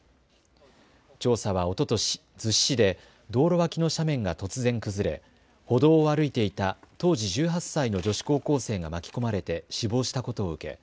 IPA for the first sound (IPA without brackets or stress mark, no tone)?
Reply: t͡ɕ